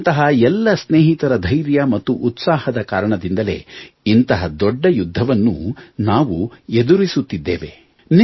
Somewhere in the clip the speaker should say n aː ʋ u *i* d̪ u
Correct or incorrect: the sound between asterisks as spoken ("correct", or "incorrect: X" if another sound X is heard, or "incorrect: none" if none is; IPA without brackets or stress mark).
incorrect: e